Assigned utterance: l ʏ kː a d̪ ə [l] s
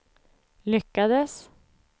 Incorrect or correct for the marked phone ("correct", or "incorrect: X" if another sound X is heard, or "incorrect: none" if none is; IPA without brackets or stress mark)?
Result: incorrect: none